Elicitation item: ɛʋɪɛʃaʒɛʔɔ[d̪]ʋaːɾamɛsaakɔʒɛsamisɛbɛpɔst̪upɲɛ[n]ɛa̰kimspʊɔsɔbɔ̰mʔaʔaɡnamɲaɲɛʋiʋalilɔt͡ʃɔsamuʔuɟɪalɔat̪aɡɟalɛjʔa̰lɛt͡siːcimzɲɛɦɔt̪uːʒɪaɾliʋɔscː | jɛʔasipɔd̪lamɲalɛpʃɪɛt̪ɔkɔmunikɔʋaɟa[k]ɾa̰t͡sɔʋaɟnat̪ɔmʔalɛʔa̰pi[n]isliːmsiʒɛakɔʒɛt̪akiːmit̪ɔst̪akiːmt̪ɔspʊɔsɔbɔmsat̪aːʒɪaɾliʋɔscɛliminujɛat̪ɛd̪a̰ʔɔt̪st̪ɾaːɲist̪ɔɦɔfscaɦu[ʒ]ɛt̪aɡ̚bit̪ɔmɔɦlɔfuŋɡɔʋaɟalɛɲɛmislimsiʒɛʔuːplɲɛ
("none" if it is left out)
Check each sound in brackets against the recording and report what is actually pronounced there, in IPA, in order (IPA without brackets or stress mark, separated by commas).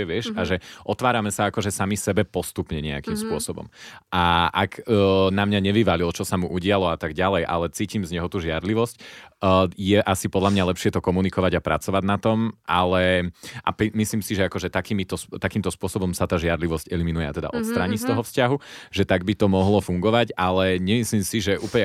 t̪, ɲ, p, m, ʒ